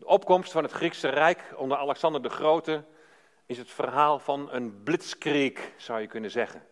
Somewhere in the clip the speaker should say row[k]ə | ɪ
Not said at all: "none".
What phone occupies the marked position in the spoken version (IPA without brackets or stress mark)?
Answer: t